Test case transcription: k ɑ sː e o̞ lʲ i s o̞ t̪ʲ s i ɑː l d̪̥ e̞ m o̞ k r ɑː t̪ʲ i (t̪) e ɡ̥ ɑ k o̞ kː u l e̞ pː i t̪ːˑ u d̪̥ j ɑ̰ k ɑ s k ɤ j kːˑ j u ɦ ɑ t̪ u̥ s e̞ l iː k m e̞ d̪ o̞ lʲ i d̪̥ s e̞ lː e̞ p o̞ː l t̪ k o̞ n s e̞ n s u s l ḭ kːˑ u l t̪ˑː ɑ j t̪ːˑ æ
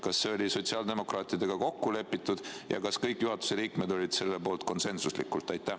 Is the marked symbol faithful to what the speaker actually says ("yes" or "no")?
no